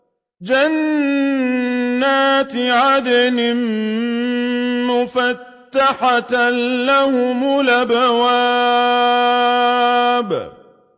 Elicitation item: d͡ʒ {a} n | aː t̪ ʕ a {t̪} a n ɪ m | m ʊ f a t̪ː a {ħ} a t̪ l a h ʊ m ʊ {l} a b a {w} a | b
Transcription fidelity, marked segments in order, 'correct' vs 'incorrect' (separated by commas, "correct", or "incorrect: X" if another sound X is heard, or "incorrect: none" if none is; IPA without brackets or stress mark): correct, incorrect: d̪, correct, correct, correct